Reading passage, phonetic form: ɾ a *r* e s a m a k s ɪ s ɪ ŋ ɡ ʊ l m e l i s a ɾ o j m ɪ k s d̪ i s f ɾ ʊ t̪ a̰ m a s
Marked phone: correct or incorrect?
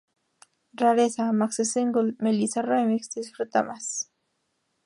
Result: incorrect